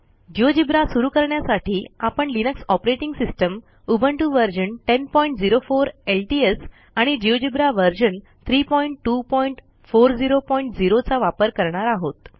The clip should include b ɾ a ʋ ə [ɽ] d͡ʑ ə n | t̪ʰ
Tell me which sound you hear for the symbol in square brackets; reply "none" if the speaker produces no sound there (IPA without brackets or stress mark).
ɾ